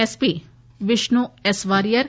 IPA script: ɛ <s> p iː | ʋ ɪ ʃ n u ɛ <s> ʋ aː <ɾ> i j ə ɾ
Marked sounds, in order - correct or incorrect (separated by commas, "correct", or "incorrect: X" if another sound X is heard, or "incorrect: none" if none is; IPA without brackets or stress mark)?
correct, correct, correct